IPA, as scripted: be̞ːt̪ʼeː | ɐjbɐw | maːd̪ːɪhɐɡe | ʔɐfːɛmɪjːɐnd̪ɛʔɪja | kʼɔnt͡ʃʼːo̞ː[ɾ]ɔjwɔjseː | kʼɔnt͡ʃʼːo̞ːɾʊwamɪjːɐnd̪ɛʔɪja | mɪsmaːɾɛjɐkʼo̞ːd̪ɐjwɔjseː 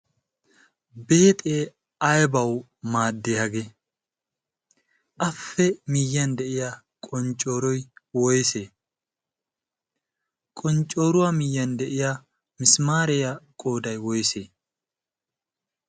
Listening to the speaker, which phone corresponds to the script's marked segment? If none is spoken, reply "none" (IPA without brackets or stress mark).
ɾ